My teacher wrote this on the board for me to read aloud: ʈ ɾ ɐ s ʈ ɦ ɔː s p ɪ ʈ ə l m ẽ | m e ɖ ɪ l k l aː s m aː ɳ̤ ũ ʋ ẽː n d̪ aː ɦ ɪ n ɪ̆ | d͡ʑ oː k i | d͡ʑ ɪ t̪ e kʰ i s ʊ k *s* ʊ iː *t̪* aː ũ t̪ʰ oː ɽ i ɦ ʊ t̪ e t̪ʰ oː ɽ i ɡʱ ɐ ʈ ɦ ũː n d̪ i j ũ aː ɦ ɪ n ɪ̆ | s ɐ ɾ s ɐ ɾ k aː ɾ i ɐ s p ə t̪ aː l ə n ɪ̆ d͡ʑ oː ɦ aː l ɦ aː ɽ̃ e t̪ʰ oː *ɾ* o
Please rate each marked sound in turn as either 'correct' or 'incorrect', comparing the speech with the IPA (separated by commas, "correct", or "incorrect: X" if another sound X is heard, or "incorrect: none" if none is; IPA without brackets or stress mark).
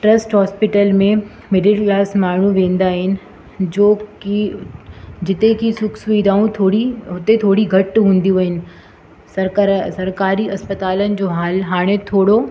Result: correct, incorrect: d̪, incorrect: ɽ